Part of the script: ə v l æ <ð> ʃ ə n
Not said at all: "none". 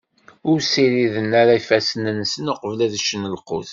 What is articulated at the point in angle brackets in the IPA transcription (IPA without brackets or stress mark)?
ð